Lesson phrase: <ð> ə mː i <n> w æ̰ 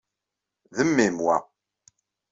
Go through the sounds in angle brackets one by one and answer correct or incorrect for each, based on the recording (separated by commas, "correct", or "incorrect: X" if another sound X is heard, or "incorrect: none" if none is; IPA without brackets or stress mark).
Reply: correct, incorrect: m